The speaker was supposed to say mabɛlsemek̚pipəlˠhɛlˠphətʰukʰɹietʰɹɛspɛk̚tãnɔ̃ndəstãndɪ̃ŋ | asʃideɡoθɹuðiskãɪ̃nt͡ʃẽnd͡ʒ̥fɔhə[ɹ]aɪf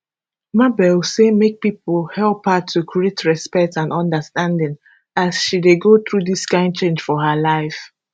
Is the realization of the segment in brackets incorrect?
yes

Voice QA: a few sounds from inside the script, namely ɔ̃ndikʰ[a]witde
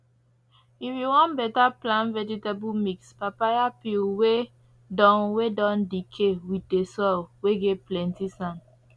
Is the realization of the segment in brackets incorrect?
yes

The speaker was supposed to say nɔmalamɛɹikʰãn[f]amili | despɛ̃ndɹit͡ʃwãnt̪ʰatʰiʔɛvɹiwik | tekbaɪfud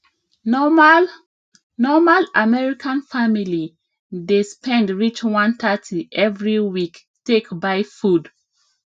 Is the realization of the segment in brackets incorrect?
no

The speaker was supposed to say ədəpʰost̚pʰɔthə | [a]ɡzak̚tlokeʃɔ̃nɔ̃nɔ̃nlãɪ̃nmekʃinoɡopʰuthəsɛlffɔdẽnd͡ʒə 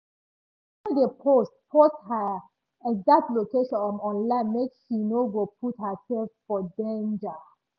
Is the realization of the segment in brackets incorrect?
yes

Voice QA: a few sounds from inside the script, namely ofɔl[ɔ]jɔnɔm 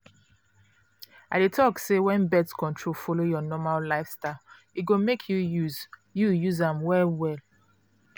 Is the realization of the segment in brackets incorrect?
yes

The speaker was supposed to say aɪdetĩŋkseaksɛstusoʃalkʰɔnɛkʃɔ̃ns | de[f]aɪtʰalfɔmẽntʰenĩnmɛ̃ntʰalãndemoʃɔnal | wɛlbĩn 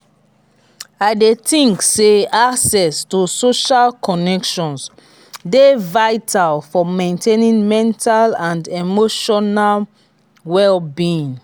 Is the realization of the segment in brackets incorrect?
yes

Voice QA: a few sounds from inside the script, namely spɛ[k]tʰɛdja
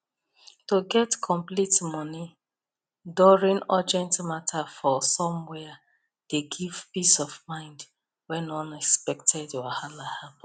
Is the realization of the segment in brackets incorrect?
no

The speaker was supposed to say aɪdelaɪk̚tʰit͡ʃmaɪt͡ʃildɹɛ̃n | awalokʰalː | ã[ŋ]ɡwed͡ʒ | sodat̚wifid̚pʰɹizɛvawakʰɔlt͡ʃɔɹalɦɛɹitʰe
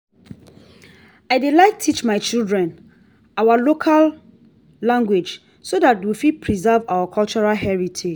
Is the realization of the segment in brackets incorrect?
no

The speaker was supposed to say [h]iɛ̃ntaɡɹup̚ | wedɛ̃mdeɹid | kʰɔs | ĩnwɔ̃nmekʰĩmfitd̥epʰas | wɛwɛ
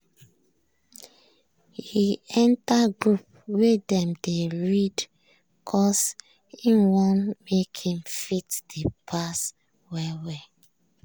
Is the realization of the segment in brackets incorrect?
no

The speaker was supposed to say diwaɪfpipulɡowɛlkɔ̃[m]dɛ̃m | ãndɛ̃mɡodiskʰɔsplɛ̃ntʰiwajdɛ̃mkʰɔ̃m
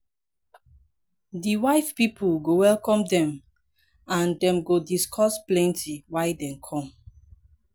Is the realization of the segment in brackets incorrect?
no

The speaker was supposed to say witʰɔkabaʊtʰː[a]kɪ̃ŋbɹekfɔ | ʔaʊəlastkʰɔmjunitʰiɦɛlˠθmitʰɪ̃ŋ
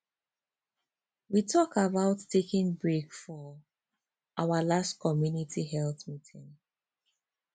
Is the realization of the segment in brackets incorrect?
yes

